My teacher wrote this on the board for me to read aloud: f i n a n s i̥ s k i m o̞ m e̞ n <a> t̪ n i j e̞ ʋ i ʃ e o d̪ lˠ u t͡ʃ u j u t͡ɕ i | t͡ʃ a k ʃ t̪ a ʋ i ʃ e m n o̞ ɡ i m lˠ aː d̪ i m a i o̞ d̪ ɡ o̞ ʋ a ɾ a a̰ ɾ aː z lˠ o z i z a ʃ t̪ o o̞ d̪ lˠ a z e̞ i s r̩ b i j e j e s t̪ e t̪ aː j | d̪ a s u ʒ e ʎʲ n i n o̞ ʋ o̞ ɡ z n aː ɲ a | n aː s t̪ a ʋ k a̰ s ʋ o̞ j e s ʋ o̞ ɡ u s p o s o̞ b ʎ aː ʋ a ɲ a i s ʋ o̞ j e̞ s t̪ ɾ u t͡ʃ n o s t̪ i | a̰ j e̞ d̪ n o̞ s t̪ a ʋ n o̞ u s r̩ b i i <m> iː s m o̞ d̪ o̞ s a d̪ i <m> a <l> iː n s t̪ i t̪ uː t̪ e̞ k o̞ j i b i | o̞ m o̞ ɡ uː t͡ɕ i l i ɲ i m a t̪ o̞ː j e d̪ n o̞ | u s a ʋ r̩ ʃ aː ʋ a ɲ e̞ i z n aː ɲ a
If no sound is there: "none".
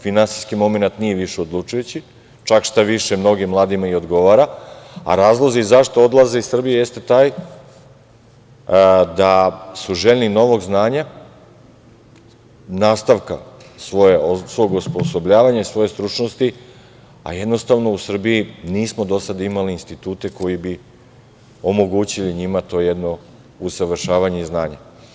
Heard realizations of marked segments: a, n, m, l

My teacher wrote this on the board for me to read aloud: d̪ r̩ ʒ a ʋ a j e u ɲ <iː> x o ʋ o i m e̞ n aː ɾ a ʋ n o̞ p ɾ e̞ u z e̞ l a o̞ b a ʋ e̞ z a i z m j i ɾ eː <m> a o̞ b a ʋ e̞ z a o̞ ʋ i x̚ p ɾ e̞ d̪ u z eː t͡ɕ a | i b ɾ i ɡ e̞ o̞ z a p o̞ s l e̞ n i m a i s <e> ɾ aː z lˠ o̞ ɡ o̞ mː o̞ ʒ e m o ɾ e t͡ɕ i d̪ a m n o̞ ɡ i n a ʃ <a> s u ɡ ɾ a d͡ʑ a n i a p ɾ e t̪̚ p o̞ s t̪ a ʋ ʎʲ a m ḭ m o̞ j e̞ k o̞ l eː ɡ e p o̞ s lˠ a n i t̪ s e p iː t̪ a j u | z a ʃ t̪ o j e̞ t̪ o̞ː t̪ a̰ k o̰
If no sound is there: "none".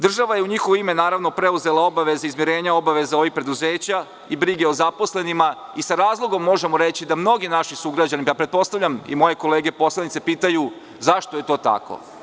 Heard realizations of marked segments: i, ɲ, a, i

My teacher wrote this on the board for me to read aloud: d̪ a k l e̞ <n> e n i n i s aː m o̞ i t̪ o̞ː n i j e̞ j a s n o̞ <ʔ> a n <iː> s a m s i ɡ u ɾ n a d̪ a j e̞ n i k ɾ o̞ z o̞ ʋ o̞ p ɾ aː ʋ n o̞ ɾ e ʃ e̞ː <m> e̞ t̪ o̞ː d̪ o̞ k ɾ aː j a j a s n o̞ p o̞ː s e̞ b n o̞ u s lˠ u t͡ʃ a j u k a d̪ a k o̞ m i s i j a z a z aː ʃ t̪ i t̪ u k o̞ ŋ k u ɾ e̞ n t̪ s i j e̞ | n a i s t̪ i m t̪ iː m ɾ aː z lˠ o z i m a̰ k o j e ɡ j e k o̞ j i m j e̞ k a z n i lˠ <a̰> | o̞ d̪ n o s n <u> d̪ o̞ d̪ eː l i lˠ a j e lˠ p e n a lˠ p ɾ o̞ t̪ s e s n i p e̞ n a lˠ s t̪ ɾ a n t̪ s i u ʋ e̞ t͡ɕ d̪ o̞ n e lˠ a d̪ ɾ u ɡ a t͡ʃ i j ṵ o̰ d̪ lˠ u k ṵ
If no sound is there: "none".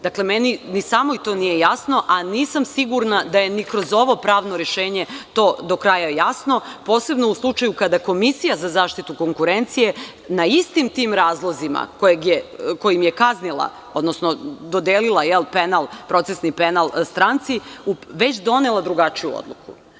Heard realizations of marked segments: m, ʔ, iː, ɲ, a̰, o

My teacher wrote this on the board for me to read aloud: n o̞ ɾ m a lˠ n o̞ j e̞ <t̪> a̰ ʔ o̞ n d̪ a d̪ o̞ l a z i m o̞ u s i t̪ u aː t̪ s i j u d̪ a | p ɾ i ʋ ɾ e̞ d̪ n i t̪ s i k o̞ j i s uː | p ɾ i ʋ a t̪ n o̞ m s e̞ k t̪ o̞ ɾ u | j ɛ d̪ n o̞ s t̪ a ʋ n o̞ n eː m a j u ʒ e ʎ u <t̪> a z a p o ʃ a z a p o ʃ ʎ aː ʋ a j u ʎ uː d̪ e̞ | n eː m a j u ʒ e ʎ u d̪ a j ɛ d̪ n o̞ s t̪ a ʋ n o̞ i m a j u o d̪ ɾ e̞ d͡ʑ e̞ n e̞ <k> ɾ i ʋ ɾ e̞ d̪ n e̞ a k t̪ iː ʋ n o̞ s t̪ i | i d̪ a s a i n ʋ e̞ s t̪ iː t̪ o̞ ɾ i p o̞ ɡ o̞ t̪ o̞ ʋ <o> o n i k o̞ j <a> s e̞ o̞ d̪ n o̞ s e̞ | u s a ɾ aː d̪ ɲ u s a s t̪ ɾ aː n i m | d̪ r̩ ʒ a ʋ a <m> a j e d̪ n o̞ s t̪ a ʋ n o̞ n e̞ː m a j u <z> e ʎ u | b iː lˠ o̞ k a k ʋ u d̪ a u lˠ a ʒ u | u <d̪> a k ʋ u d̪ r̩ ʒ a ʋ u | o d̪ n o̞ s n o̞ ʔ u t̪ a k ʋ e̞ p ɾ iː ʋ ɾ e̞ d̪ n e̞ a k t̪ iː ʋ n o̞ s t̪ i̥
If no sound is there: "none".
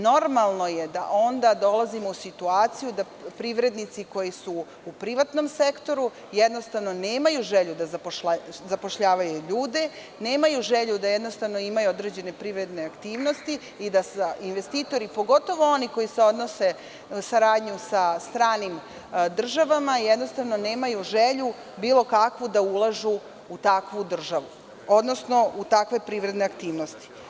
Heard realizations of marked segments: d̪, d̪, p, o, i, m, ʒ, t̪

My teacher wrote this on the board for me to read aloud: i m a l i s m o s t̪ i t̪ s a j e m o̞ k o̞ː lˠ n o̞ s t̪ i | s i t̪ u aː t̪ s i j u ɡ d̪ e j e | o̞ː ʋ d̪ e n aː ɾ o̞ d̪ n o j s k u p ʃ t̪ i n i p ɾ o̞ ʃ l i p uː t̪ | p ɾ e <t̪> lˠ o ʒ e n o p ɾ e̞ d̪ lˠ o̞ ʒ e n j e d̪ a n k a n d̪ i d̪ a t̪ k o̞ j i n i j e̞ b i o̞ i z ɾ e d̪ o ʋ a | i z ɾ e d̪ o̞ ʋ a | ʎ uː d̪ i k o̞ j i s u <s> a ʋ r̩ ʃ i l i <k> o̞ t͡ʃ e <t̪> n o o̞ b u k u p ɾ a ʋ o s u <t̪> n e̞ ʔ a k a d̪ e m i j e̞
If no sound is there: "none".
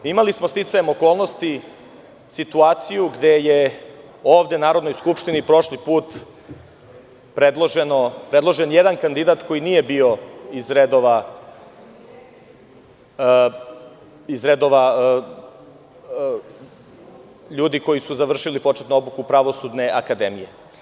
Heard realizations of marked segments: d̪, z, p, t̪, d̪

